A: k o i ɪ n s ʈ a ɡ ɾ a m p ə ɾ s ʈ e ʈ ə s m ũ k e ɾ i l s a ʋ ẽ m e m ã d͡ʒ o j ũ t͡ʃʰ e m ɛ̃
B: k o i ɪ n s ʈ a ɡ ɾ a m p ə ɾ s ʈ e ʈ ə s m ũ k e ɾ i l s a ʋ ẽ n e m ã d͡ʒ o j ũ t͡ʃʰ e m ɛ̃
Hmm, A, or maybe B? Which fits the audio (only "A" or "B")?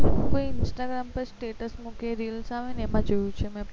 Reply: B